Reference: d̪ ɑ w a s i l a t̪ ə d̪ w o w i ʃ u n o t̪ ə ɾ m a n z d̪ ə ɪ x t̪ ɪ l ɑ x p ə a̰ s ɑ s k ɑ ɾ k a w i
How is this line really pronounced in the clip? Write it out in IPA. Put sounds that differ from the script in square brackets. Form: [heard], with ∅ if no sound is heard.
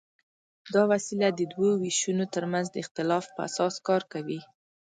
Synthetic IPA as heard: d̪ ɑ w a s i l a [d̪] ə d̪ w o w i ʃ u n o t̪ ə ɾ m a n z d̪ ə ɪ x t̪ ɪ l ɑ [f] p ə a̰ s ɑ s k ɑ ɾ k a w i